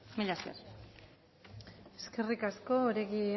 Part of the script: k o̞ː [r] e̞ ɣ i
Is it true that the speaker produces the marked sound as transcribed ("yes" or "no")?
no